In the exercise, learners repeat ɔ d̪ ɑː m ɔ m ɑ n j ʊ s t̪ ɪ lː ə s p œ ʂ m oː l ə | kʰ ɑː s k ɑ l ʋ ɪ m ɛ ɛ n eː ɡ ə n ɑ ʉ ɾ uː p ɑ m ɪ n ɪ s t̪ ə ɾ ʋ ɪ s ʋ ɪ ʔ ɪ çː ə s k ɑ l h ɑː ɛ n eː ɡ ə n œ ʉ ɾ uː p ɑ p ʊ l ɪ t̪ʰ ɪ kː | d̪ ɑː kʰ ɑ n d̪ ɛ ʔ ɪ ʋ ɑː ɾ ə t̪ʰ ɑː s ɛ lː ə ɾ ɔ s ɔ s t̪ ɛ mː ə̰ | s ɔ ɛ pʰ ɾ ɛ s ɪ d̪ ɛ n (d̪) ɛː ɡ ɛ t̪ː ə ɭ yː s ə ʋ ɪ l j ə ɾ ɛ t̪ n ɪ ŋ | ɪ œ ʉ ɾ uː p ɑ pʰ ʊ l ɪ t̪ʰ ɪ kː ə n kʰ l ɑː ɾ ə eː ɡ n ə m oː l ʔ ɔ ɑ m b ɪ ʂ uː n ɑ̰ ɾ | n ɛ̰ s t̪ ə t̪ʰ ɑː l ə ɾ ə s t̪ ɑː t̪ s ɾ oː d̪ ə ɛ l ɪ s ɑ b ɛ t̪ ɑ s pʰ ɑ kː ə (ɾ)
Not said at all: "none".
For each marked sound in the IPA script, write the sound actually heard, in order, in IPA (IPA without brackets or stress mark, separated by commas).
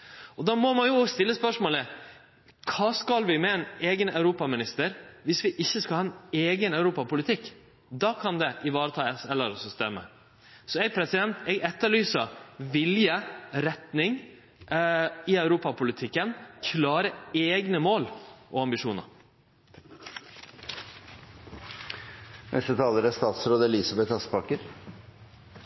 t̪, ɾ